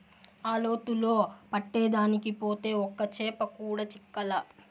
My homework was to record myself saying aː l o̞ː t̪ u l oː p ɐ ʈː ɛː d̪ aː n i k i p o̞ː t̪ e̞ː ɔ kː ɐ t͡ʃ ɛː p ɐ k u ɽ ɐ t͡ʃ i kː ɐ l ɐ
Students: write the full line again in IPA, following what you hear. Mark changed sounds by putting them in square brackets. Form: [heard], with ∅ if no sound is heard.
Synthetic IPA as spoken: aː l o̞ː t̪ u l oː p ɐ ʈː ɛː d̪ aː n i k i p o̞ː t̪ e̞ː ɔ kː ɐ t͡ʃ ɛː p ɐ k [uː] ɽ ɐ t͡ʃ i kː ɐ l ɐ